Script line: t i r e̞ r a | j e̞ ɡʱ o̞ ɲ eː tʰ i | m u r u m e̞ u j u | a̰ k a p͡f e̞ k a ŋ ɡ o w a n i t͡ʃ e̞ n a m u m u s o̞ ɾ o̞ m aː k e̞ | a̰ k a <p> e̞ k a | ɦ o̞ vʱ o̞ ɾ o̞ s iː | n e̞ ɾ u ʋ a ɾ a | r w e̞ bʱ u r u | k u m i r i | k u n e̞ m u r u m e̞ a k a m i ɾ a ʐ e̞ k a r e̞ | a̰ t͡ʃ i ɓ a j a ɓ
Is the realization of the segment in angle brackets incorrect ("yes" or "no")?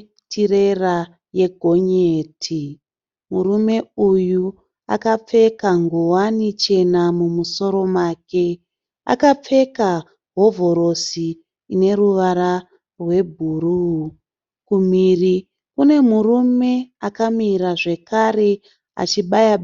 yes